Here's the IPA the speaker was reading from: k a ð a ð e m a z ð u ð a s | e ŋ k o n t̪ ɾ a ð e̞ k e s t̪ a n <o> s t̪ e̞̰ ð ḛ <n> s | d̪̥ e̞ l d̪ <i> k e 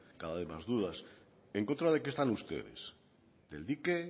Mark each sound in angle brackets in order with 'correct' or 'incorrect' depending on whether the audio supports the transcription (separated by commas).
incorrect, incorrect, correct